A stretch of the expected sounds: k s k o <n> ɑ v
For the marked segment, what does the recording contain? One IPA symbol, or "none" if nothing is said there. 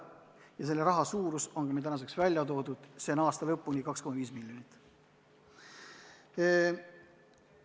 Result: m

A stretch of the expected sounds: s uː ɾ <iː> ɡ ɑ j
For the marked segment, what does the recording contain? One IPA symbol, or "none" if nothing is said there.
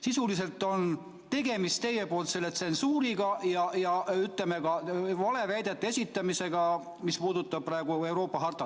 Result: i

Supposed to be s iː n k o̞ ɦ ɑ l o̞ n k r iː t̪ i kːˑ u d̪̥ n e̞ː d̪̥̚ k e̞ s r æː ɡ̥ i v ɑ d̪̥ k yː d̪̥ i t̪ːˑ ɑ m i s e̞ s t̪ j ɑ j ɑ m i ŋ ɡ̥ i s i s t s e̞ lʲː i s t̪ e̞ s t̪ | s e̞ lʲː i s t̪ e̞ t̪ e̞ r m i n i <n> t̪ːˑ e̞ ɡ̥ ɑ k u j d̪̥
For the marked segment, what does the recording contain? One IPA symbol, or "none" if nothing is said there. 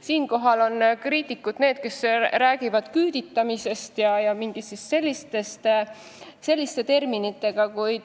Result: none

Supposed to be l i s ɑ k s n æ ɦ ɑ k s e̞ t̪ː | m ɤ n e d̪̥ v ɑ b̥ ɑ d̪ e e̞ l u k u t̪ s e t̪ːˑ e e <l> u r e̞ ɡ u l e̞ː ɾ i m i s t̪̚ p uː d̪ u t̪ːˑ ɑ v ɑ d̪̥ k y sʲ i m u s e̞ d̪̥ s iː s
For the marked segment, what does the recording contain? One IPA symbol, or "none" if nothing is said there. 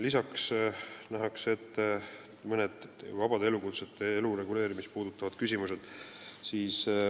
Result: l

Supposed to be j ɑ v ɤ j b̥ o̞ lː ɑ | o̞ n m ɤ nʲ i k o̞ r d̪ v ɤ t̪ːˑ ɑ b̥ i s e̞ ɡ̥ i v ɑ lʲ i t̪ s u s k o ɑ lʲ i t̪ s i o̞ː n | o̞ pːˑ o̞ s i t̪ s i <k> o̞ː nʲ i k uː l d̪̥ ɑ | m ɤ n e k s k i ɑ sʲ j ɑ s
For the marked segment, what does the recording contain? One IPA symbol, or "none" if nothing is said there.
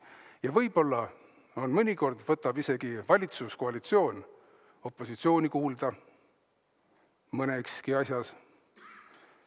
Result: none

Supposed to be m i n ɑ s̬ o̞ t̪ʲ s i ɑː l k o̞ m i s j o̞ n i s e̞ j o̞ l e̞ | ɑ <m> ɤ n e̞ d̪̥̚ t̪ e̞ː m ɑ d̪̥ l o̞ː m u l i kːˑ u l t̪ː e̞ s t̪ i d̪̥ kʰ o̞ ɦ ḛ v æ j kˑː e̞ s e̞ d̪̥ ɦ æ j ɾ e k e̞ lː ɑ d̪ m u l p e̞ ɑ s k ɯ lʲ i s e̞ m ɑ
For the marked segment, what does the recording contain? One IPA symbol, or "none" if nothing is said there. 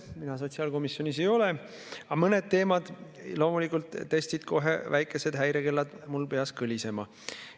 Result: m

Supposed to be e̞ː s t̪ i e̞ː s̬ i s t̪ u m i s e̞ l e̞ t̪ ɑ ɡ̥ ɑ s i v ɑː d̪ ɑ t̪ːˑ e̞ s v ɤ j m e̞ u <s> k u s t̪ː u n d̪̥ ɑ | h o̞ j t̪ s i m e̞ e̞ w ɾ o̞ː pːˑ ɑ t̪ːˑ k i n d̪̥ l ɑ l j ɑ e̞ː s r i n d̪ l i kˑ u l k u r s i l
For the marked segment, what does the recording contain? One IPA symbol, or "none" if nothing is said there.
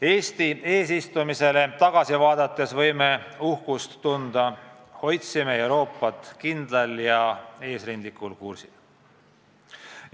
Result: h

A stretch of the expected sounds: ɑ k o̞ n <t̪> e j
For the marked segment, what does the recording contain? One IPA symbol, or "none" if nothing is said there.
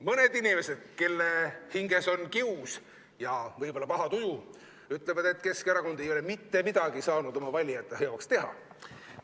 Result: d̪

